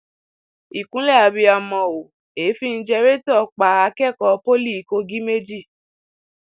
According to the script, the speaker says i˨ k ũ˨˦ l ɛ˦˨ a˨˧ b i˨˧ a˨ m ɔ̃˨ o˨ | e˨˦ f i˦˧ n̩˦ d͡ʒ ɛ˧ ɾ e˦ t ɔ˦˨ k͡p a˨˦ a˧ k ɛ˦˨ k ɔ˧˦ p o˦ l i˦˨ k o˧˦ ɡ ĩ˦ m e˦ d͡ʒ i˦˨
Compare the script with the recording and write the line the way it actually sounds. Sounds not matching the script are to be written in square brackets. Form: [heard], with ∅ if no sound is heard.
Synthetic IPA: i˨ k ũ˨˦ l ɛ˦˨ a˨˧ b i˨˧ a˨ m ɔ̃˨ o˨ | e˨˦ f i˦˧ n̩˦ d͡ʒ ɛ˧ ɾ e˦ t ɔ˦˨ k͡p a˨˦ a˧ k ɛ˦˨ k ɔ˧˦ p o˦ l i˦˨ k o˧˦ ɡ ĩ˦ m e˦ d͡ʒ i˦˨

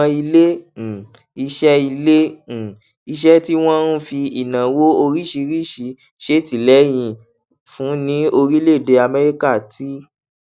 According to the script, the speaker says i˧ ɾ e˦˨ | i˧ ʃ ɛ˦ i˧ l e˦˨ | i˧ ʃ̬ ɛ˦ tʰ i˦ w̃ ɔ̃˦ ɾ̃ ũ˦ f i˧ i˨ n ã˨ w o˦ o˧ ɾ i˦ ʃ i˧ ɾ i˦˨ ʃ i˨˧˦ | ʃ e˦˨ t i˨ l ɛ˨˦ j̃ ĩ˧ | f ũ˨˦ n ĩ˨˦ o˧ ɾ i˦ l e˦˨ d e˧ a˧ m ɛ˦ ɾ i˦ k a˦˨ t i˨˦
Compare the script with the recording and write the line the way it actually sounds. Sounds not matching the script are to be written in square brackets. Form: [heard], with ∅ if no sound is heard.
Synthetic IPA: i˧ [l] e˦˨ | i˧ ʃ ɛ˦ i˧ l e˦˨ | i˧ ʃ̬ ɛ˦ [t] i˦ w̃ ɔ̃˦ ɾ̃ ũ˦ f i˧ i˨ n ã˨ w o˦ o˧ ɾ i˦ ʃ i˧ ɾ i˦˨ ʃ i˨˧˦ | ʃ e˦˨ t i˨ l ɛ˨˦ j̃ ĩ˧ | f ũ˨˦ n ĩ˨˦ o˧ ɾ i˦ l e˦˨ d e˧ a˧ m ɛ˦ ɾ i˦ k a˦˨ t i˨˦

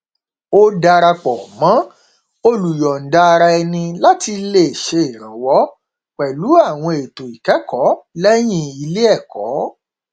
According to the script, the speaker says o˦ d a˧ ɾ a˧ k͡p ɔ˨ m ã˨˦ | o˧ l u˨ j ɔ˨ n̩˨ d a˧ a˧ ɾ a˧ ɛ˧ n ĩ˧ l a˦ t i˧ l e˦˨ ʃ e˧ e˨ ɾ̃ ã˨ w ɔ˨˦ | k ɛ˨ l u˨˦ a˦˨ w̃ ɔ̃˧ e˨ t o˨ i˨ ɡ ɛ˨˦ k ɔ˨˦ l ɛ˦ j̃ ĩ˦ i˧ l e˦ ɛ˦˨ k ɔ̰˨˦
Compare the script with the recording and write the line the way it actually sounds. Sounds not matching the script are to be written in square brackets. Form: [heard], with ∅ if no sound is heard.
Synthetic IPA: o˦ d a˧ ɾ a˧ k͡p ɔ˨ m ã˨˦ | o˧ l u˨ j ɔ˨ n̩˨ d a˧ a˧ ɾ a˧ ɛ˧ n ĩ˧ l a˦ t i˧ l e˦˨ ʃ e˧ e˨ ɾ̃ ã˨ w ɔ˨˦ | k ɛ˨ l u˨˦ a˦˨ w̃ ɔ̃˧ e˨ t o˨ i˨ [k] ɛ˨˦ k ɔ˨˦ l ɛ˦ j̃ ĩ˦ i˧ l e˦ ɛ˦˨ k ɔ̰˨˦

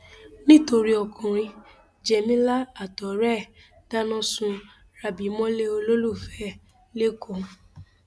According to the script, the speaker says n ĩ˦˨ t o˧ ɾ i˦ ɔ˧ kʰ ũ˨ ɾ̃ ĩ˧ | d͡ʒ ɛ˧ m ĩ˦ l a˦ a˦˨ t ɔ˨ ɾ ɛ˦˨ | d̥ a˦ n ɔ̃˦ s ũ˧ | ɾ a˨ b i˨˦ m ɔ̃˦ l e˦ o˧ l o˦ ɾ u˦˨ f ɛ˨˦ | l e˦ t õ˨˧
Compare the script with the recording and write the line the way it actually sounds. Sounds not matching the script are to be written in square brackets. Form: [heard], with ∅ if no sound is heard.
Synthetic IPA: n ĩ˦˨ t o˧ ɾ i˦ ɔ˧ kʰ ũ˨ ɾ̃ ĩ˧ | d͡ʒ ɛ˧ m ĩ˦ l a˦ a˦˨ t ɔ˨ ɾ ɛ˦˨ | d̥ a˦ n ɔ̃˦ s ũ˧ | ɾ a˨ b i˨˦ m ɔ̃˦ l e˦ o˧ l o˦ [l] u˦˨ f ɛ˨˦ | l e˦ [k] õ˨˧

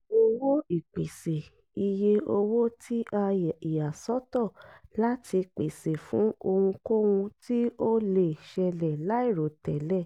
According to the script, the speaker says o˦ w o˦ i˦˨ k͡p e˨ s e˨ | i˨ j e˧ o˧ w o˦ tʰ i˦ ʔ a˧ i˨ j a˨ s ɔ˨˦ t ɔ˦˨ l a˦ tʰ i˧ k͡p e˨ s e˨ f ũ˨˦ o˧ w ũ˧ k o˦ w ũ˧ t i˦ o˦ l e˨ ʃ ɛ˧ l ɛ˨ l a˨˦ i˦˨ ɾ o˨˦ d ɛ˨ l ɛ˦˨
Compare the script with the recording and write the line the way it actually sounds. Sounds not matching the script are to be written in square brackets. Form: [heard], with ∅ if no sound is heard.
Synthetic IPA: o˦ w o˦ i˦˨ k͡p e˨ s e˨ | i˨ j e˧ o˧ w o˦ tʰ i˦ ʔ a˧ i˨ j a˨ s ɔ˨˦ t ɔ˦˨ l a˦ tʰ i˧ k͡p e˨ s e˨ f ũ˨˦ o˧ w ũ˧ k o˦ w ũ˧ t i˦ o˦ l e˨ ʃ ɛ˧ l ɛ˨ l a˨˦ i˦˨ ɾ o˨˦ [t] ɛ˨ l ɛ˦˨

